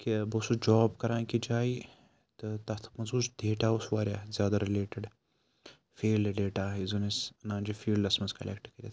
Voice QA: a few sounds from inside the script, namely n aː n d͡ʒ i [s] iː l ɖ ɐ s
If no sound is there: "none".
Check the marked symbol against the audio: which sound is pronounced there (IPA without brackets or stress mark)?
f